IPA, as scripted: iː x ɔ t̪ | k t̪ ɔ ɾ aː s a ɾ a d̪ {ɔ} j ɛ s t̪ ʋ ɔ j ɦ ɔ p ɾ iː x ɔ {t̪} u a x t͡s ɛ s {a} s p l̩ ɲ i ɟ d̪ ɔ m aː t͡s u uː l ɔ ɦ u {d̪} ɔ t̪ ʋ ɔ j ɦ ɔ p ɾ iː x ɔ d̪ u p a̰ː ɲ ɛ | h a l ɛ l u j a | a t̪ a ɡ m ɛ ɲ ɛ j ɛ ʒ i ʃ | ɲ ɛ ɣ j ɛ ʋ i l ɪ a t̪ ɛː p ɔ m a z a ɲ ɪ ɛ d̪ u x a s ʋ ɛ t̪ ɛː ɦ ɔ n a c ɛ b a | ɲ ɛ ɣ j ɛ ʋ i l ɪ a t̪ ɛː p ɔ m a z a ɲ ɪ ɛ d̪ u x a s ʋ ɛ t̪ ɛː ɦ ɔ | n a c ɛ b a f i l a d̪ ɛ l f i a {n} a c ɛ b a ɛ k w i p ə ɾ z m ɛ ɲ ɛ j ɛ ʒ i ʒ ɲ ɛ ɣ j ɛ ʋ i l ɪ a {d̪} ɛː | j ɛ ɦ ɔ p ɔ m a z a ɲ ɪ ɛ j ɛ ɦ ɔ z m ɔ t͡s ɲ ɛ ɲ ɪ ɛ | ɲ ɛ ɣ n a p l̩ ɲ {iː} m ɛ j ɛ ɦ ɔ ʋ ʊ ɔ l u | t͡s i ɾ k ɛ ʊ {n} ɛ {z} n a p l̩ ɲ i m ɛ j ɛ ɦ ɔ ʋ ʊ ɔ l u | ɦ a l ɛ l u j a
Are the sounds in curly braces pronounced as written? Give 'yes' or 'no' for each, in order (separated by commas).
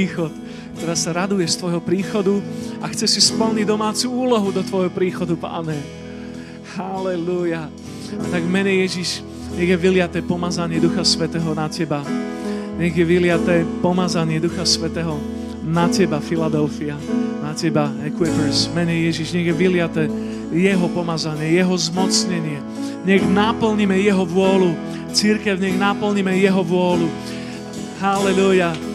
no, no, no, yes, yes, no, no, no, no